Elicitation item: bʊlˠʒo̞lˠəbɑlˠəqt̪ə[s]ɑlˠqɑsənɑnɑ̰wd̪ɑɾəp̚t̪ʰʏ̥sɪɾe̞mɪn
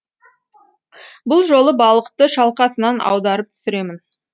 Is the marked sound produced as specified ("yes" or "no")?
no